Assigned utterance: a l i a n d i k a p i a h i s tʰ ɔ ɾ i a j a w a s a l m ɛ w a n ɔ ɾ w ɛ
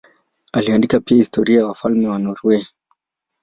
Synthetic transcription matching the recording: a l i a n d i k a p i a h i s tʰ ɔ ɾ i a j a w a f a l m ɛ w a n ɔ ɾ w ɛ